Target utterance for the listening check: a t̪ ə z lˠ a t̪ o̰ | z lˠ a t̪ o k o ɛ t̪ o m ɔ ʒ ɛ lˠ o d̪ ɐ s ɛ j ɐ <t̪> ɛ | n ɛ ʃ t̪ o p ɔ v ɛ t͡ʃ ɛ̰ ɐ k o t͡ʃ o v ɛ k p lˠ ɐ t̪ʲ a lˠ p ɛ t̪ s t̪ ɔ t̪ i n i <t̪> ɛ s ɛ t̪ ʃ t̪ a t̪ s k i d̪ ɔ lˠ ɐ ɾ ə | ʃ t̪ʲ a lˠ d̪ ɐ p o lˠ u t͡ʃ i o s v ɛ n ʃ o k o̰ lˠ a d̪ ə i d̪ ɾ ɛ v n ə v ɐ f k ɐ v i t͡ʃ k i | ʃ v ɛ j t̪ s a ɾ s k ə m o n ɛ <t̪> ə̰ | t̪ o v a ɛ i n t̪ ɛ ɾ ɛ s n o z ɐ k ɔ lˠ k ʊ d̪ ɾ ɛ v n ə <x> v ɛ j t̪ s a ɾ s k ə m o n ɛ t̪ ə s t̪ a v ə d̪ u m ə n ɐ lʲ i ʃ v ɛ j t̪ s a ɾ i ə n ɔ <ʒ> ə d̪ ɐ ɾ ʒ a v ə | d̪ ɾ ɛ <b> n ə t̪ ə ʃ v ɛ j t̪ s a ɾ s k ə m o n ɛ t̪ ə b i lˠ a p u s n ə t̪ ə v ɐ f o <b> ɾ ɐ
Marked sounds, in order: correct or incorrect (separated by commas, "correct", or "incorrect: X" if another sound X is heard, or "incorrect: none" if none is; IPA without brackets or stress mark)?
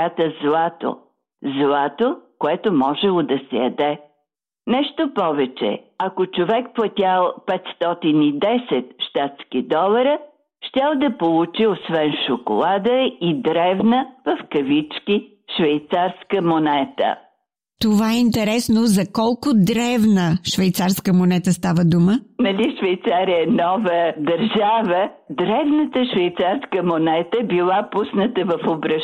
incorrect: d̪, incorrect: d̪, correct, incorrect: ʃ, incorrect: v, incorrect: v, correct